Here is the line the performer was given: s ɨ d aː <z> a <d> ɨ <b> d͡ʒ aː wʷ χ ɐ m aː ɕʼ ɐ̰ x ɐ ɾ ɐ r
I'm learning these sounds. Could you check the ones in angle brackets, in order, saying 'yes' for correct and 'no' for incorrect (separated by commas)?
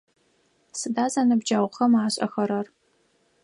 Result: yes, no, yes